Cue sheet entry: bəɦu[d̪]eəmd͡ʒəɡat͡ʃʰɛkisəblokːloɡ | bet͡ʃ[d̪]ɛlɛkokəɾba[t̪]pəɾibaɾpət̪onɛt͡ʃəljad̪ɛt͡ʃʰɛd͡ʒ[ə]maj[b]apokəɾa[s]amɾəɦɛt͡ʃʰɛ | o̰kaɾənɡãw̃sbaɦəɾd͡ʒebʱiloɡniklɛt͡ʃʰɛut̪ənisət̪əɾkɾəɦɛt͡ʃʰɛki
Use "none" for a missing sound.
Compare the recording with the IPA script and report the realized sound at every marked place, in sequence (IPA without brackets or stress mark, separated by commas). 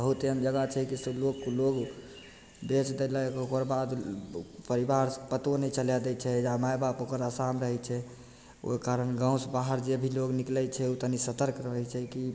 t̪, d̪, d̪, a, b, s